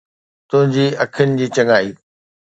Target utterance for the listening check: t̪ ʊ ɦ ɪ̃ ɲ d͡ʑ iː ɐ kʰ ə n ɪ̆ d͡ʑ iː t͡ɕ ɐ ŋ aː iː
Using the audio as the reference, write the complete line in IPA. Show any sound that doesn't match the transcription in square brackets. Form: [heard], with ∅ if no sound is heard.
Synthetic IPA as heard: t̪ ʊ ɦ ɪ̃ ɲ d͡ʑ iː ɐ kʰ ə n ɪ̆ d͡ʑ iː t͡ɕ ɐ ŋ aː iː